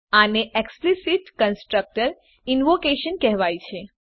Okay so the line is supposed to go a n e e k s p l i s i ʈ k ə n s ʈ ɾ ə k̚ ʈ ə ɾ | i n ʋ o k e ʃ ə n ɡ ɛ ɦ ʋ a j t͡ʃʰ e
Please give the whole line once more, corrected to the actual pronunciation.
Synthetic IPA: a n e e k s p l i s i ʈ k ə n s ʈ ɾ ə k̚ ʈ ə ɾ | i n ʋ o k e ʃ ə n k ɛ ɦ ʋ a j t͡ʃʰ e

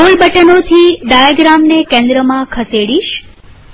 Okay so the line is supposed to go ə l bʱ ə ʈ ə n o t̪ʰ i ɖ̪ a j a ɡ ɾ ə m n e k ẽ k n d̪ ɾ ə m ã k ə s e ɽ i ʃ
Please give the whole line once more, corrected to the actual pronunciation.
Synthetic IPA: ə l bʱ ə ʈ ə n o t̪ʰ i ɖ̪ a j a ɡ ɾ a m n e k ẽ n d̪ ɾ ə m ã kʰ ə s e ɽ i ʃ

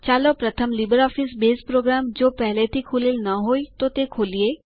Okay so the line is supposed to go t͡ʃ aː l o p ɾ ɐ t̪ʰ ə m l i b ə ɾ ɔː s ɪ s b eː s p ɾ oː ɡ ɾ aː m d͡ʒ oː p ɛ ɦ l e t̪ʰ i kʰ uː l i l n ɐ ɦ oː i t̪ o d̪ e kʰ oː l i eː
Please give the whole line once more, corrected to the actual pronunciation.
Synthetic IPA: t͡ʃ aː l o p ɾ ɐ t̪ʰ ə m l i b ə ɾ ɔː f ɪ s b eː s p ɾ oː ɡ ɾ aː m d͡ʒ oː p ɛ ɦ l e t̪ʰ i kʰ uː l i l n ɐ ɦ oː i t̪ o t̪ e kʰ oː l i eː

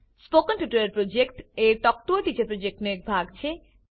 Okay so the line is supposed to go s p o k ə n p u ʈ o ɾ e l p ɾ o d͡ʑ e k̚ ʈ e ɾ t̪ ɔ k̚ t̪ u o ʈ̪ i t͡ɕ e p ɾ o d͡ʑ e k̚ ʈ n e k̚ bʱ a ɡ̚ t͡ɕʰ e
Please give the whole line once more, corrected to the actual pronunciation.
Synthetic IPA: s p o k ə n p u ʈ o ɾ e ɾ p ɾ o d͡ʑ e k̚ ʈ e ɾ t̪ ɔ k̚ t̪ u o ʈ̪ i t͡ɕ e p ɾ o d͡ʑ e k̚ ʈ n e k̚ bʱ a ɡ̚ t͡ɕʰ e

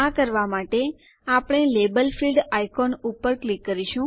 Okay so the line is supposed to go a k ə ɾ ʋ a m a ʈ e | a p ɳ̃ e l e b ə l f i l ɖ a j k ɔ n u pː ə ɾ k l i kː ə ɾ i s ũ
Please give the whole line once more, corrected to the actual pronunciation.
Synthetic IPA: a k ə ɾ ʋ a m a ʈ e | a p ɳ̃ e l e b ə l f i l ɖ a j k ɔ n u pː ə ɾ k l i kː ə ɾ i ʃ ũ

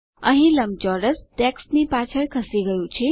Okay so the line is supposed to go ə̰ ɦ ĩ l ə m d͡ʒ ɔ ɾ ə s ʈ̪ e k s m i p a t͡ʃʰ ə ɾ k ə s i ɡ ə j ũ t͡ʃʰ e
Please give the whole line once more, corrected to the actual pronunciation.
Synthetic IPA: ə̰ ɦ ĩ l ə m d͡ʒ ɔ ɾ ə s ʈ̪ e k s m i p a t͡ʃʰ ə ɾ kʰ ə s i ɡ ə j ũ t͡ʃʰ i

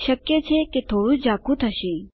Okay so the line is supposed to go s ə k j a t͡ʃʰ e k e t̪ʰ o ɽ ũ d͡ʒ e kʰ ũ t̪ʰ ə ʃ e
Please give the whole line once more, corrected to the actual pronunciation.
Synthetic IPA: ʃ ə k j e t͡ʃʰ e k e t̪ʰ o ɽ ũ d͡ʒ a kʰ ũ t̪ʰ ə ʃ e

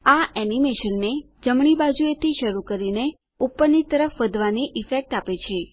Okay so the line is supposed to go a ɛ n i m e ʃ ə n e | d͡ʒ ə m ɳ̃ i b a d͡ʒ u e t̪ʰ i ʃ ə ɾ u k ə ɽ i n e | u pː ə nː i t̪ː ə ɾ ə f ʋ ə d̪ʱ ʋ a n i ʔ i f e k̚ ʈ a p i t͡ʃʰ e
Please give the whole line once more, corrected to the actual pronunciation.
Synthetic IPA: a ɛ n i m e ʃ ə nː e | d͡ʒ ə m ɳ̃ i b a d͡ʒ u e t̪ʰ i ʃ ə ɾ u k ə ɾ i n e | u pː ə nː i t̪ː ə ɾ ə f ʋ ə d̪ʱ ʋ a n i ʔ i f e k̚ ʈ a p e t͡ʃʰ e

